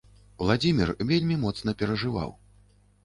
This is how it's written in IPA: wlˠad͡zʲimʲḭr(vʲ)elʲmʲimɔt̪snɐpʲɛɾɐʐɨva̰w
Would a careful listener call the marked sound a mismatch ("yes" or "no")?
no